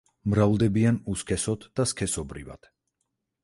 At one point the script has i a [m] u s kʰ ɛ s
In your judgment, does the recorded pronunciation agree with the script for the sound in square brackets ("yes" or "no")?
no